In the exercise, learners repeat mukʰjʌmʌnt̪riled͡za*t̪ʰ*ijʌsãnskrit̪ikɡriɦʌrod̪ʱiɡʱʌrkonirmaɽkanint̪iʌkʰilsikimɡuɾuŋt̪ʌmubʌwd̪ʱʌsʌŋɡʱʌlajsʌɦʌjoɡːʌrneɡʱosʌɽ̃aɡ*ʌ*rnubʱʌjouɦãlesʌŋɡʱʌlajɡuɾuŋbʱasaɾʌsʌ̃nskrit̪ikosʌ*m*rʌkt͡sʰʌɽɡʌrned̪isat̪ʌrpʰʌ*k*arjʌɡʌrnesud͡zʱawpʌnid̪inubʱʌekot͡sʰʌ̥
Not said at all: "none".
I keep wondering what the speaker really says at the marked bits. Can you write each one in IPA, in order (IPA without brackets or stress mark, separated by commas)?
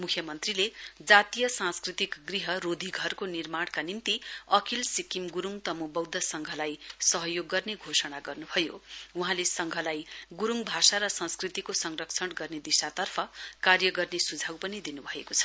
t̪, ʌ, ŋ, k